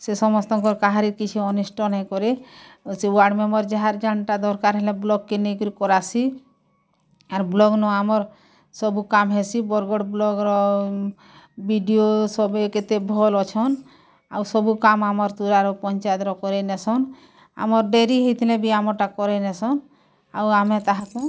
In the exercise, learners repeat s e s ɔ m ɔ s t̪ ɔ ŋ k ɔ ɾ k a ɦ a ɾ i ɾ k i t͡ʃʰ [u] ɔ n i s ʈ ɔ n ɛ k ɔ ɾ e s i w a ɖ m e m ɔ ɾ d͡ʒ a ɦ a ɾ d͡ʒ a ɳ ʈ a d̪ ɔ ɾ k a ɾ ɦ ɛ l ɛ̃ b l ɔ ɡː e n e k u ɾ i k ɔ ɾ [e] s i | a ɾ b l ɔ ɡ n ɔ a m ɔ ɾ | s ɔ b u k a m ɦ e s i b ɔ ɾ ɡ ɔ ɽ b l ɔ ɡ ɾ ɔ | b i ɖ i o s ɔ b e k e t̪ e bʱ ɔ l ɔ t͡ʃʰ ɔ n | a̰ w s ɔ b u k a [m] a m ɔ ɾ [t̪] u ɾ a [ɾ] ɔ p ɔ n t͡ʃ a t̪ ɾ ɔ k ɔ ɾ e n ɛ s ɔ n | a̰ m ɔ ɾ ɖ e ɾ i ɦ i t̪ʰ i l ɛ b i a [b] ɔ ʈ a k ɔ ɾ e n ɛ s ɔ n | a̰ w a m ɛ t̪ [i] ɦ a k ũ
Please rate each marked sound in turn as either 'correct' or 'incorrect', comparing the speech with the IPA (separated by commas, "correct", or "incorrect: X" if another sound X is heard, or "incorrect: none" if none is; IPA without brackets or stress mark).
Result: correct, incorrect: a, correct, correct, correct, incorrect: m, incorrect: a